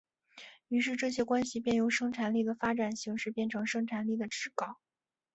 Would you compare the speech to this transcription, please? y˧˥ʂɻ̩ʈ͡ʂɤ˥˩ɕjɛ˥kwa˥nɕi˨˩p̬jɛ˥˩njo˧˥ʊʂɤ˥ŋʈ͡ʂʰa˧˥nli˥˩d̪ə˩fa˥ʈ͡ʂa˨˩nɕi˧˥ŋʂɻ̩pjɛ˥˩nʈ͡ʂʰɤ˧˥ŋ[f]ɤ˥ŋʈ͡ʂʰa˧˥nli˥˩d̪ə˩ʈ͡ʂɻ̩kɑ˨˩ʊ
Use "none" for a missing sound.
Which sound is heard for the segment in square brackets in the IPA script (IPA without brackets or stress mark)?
ʂ